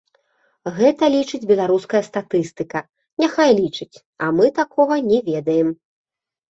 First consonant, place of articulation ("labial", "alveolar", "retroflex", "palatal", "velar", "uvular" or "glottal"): velar